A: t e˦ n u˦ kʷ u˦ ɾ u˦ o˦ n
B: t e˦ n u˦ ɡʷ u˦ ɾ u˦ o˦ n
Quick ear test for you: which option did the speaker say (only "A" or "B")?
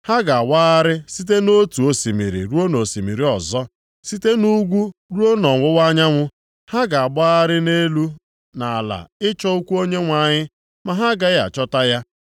B